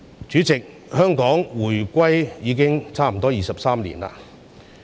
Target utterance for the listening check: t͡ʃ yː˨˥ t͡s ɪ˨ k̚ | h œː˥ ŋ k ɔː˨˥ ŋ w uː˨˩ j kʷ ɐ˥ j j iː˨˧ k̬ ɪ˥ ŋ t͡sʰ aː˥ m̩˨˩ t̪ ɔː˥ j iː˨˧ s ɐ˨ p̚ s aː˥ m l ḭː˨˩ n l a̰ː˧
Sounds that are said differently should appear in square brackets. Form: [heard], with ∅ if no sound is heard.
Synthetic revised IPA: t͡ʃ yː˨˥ t͡s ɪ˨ k̚ | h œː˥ ŋ k ɔː˨˥ ŋ w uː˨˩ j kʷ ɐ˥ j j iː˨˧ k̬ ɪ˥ ŋ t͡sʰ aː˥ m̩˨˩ t̪ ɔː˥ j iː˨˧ s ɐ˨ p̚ s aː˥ m l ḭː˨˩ n l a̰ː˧